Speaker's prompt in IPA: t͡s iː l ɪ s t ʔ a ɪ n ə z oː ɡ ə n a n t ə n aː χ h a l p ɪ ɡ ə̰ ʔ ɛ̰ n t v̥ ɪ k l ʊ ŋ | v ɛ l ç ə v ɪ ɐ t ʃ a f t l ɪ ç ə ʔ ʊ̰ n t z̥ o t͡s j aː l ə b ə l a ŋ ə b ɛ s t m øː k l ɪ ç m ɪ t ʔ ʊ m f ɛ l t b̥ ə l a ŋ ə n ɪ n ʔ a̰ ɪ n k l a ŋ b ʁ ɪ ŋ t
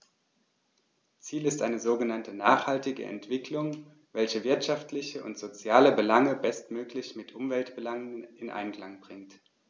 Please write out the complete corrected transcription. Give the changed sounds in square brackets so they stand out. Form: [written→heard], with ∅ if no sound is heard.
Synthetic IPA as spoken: t͡s iː l ɪ s t ʔ a ɪ n ə z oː ɡ ə n a n t ə n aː χ h a l [p→t] ɪ ɡ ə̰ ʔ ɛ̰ n t v̥ ɪ k l ʊ ŋ | v ɛ l ç ə v ɪ ɐ t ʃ a f t l ɪ ç ə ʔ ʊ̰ n t z̥ o t͡s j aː l ə b ə l a ŋ ə b ɛ s t m øː k l ɪ ç m ɪ t ʔ ʊ m [f→v] ɛ l t b̥ ə l a ŋ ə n ɪ n ʔ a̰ ɪ n k l a ŋ b ʁ ɪ ŋ t